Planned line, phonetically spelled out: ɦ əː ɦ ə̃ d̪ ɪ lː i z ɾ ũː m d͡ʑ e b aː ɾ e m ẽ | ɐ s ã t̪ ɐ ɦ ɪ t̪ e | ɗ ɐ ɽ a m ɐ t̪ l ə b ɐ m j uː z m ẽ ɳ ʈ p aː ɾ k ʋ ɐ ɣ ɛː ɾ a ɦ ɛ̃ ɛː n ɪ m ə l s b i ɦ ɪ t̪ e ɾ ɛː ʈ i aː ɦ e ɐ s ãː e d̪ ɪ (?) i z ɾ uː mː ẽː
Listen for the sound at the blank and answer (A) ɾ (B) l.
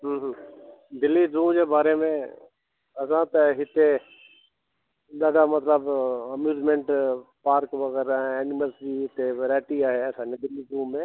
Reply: B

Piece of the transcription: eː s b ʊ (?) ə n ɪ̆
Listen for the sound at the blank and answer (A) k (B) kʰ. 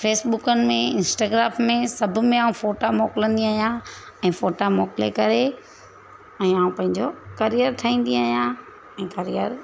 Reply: A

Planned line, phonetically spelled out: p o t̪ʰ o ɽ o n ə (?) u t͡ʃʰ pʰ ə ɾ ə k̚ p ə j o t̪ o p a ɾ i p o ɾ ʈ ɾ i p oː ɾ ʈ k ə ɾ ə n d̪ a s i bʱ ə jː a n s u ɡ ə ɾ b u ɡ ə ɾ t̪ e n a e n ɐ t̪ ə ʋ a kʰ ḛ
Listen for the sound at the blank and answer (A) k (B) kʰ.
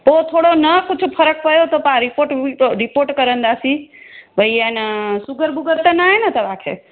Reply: A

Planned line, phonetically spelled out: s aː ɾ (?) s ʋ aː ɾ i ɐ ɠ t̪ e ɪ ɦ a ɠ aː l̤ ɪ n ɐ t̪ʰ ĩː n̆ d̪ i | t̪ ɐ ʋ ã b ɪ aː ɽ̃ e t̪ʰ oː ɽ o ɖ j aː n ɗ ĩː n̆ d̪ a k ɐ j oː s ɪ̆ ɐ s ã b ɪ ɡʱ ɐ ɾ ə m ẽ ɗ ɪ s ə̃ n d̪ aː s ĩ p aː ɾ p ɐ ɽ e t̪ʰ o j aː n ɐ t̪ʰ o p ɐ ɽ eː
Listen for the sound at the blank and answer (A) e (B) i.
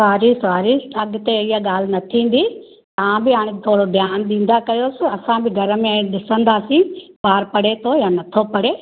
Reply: B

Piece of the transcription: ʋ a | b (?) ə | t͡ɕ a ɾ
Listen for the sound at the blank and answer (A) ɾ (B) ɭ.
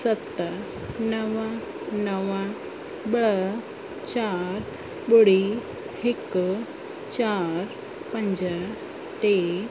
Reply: B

